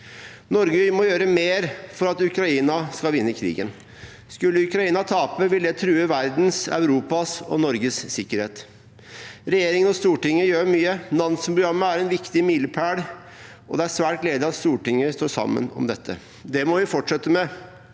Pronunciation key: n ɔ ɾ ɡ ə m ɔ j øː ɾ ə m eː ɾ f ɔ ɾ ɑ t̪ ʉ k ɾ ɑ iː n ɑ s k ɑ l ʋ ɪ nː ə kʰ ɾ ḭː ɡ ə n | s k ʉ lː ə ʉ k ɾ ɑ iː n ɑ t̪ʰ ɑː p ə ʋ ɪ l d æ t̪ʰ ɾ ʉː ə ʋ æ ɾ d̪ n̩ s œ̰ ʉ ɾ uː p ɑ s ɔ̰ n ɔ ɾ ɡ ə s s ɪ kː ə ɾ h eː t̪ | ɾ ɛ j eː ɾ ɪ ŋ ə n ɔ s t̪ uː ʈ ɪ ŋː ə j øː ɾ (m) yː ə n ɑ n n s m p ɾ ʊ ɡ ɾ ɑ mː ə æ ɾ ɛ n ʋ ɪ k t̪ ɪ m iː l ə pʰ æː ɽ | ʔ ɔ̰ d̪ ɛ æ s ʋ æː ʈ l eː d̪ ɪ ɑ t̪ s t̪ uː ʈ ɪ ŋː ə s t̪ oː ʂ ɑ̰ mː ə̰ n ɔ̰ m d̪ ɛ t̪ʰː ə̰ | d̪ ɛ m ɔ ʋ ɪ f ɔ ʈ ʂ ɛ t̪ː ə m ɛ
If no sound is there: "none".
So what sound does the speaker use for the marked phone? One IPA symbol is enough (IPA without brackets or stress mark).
m